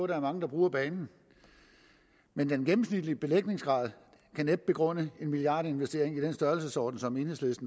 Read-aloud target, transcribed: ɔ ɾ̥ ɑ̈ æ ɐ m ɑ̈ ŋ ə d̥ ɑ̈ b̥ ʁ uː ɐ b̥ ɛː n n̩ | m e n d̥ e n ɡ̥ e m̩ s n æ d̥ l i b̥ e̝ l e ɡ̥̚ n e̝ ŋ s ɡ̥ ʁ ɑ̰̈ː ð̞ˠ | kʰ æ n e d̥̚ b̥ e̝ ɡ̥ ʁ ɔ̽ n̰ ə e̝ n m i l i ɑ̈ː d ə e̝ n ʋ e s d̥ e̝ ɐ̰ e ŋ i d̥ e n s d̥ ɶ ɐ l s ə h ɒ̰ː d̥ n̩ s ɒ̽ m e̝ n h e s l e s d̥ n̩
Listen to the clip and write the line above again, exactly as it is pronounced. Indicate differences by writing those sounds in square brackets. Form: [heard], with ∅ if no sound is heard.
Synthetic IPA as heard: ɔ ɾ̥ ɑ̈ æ ɐ m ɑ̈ ŋ ə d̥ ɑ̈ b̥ ʁ uː ɐ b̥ ɛː n n̩ | m e n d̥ e n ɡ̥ e m̩ s n [i] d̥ l i b̥ e̝ l e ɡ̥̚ n e̝ ŋ s ɡ̥ ʁ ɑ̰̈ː ð̞ˠ | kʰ æ n e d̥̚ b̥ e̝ ɡ̥ ʁ ɔ̽ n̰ ə e̝ n m i l i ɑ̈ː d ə e̝ n ʋ e s d̥ e̝ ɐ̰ e ŋ i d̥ e n s d̥ ɶ ɐ l s ə [s] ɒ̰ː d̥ n̩ s ɒ̽ m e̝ n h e s l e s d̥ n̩

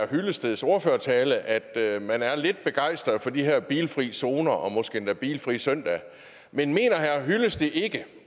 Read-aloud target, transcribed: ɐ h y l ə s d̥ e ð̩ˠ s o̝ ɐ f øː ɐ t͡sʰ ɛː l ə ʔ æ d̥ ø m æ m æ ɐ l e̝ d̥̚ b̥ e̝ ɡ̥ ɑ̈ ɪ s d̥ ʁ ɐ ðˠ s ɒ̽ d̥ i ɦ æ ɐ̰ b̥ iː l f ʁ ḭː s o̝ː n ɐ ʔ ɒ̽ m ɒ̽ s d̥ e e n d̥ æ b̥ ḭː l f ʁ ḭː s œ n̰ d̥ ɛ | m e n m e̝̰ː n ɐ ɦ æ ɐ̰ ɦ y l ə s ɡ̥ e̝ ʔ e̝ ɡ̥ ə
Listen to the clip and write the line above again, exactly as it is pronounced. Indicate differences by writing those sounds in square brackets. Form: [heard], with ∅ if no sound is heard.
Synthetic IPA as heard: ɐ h y l ə s d̥ e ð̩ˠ s o̝ ɐ f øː ɐ t͡sʰ ɛː l ə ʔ æ d̥ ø m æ [n] æ ɐ l e̝ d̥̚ b̥ e̝ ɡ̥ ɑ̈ ɪ s d̥ ʁ ɐ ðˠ [f] ɒ̽ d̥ i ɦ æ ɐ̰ b̥ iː l f ʁ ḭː s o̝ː n ɐ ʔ ɒ̽ m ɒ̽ s [ɡ̥] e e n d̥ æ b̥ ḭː l f ʁ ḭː s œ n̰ d̥ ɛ | m e n m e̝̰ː n ɐ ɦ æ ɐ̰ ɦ y l ə s [d̥] e̝ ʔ e̝ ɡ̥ ə

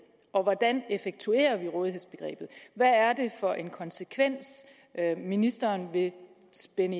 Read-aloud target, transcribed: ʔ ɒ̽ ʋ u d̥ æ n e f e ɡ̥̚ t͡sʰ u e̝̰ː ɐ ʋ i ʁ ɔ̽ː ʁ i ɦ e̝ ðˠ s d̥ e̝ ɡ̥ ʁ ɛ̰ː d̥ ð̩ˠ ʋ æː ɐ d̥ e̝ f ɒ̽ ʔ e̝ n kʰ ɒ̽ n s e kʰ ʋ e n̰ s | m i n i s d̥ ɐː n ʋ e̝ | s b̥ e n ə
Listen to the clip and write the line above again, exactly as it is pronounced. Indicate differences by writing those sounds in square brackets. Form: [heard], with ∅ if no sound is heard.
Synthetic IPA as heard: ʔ ɒ̽ ʋ [ɒ] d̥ æ n e f e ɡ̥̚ t͡sʰ u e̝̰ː ɐ ʋ i ʁ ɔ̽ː [ð] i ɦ e̝ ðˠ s [b̥] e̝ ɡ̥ ʁ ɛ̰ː [b̥] ð̩ˠ ʋ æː ɐ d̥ e̝ f ɒ̽ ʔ e̝ n kʰ ɒ̽ n s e kʰ ʋ e n̰ s | m i n i s d̥ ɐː n ʋ e̝ | s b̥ e n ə

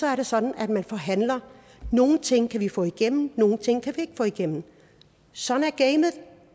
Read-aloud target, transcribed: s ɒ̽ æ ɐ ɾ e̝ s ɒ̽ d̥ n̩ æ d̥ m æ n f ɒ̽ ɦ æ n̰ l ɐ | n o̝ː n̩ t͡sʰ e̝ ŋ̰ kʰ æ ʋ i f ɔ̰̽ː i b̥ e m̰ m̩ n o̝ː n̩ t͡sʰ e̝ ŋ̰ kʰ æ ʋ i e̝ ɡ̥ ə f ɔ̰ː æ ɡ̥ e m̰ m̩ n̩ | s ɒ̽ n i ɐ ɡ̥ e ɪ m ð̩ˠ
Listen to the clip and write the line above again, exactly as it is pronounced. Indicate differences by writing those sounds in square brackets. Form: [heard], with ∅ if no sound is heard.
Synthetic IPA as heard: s ɒ̽ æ ɐ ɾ e̝ s ɒ̽ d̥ n̩ æ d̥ m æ n f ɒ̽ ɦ æ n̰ l ɐ | n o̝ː n̩ t͡sʰ e̝ ŋ̰ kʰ æ ʋ i f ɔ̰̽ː i [ɡ̥] e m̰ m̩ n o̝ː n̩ t͡sʰ e̝ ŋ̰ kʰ æ ʋ i e̝ ɡ̥ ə f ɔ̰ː [i] ɡ̥ e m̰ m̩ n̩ | s ɒ̽ n [æ] ɐ ɡ̥ e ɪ m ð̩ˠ

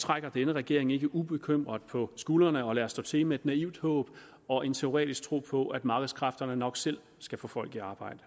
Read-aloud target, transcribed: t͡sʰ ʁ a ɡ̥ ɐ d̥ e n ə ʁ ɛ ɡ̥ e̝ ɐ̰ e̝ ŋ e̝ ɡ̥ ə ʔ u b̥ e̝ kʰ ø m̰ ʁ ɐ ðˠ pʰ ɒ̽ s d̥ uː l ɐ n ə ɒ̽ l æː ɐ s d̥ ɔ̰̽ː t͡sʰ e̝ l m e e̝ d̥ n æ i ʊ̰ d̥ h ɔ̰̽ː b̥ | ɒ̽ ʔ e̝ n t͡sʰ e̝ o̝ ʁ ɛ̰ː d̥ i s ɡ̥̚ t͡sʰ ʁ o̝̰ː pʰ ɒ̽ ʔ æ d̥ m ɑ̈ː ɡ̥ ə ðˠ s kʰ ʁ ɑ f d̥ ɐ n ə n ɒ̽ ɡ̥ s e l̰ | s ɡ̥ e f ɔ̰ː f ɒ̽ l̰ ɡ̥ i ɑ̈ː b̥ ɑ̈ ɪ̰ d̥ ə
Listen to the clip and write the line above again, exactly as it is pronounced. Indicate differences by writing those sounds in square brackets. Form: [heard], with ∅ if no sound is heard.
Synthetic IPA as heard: t͡sʰ ʁ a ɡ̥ ɐ d̥ e n ə ʁ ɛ ɡ̥ e̝ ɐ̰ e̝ ŋ e̝ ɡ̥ ə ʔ u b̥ e̝ kʰ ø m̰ ʁ ɐ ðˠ pʰ ɒ̽ s [ɡ̥] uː l ɐ n ə ɒ̽ l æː ɐ s d̥ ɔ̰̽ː t͡sʰ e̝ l m e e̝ d̥ n æ i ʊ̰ d̥ h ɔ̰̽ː b̥ | ɒ̽ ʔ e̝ n t͡sʰ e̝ o̝ ʁ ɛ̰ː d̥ i s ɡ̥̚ t͡sʰ ʁ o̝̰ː pʰ ɒ̽ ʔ æ d̥ m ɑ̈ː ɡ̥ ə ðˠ s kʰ ʁ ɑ f d̥ ɐ n ə n ɒ̽ ɡ̥ s e l̰ | s ɡ̥ [æ] f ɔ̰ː f ɒ̽ l̰ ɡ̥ i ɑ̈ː b̥ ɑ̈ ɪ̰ d̥ ə

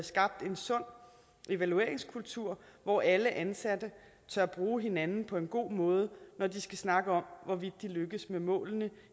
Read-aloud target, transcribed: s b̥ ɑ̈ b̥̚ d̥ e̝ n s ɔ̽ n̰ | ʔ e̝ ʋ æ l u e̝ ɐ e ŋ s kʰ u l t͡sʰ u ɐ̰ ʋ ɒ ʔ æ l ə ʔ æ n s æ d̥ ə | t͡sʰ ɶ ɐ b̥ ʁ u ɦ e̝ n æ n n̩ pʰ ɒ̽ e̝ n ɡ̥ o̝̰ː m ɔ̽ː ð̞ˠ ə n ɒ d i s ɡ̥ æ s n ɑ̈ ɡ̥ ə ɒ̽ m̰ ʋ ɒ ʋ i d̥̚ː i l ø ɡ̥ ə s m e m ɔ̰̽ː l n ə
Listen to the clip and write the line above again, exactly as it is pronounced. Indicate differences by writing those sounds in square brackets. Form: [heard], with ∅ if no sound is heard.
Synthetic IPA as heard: s [ɡ̥] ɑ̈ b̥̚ d̥ e̝ n s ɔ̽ n̰ | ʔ e̝ ʋ æ l u e̝ ɐ e ŋ s kʰ u l t͡sʰ u ɐ̰ ʋ ɒ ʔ æ l ə ʔ æ n s æ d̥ ə | t͡sʰ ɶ ɐ b̥ ʁ [uː] ɦ e̝ n æ n n̩ pʰ ɒ̽ e̝ n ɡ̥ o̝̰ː m ɔ̽ː ð̞ˠ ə n ɒ d i s ɡ̥ æ s n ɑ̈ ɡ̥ ə ɒ̽ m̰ ʋ ɒ ʋ i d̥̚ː i l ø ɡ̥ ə s m e m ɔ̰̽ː l n ə

